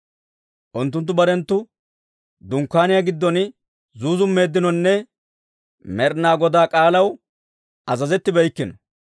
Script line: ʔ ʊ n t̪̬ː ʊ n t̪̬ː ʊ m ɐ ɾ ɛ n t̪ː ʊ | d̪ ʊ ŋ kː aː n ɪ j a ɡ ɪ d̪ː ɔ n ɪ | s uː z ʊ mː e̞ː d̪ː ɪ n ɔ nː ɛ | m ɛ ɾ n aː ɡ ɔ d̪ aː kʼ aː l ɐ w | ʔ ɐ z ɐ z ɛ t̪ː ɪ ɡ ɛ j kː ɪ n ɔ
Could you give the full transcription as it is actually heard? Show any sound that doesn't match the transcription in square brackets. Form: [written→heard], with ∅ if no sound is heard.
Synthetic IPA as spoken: ʔ ʊ n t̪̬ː ʊ n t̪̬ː ʊ [m→b] ɐ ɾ ɛ n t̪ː ʊ | d̪ ʊ ŋ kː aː n ɪ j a ɡ ɪ d̪ː ɔ n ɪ | [s→z] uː z ʊ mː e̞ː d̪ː ɪ n ɔ nː ɛ | m ɛ ɾ n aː ɡ ɔ d̪ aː kʼ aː l ɐ w | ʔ ɐ z ɐ z ɛ t̪ː ɪ [ɡ→b] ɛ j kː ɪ n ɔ